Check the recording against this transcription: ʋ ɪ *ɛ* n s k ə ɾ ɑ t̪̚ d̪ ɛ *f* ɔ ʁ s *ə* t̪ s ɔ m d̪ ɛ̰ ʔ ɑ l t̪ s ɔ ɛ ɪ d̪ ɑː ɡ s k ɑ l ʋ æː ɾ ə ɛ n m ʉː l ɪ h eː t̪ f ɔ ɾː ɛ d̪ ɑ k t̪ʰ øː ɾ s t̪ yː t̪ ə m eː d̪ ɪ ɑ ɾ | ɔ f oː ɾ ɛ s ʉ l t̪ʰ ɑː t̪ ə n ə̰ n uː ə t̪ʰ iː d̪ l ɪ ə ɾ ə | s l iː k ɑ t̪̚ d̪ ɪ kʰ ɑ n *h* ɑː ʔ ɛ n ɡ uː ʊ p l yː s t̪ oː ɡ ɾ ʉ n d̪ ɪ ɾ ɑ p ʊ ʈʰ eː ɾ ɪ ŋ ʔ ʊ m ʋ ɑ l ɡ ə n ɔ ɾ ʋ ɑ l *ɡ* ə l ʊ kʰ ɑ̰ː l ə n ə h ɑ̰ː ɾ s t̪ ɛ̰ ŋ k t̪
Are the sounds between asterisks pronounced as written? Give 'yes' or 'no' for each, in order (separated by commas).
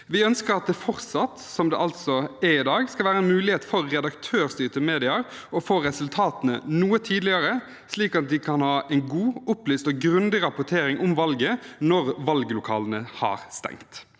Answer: no, yes, no, yes, yes